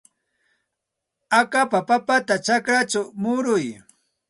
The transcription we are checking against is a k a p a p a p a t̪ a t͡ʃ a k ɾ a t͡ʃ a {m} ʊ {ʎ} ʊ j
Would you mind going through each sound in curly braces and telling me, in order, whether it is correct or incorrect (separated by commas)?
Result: correct, incorrect